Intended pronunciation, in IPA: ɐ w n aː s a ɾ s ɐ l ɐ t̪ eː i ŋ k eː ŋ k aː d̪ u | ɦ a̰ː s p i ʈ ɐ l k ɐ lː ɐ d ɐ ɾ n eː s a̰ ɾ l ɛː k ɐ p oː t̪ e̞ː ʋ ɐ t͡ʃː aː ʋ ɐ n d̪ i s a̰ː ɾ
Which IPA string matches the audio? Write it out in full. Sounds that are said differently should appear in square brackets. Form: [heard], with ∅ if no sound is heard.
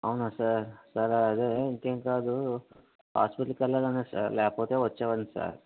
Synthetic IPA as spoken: ɐ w n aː s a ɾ s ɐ [ɾ] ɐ [d̪] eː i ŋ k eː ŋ k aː d̪ u | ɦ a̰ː s p i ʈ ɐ l k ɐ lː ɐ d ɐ [∅] n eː s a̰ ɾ l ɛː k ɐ p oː t̪ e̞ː ʋ ɐ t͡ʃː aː ʋ ɐ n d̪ i s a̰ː ɾ